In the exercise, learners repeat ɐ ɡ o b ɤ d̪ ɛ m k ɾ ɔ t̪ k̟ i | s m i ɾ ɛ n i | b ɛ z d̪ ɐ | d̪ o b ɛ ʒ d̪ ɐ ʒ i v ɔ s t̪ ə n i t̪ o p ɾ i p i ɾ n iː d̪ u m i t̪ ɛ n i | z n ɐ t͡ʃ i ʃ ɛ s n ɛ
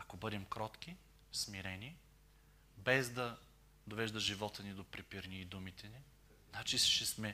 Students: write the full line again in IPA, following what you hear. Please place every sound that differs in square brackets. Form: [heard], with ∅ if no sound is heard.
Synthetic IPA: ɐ [k] o b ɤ d̪ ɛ m k ɾ ɔ t̪ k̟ i | s m i ɾ ɛ n i | b ɛ z d̪ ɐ | d̪ o [v] ɛ ʒ d̪ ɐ ʒ i v ɔ [∅] t̪ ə n i [d̪] o p ɾ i p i ɾ n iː d̪ u m i t̪ ɛ n i | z n [a] t͡ʃ i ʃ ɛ s [m] ɛ